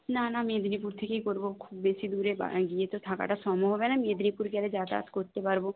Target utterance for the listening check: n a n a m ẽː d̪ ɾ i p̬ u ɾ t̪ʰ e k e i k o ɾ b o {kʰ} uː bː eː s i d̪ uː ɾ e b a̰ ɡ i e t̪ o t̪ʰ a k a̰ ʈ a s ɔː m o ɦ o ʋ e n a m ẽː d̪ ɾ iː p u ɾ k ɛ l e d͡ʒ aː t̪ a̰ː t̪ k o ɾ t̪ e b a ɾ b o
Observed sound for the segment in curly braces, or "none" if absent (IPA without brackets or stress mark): kʰ